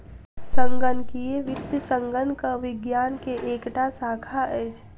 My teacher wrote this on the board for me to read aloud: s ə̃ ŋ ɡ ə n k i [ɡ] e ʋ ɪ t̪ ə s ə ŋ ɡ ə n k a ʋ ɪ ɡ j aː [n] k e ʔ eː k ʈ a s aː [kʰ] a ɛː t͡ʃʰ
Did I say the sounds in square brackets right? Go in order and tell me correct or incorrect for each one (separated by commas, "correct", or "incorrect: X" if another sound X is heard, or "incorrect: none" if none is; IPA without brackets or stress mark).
incorrect: none, correct, correct